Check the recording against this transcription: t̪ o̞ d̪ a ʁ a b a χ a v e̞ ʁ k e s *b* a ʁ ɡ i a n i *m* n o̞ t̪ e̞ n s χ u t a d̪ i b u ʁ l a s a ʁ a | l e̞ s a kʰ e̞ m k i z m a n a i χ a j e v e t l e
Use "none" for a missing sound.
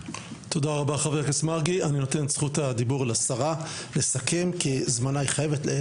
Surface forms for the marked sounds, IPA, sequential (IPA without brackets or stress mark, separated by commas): m, none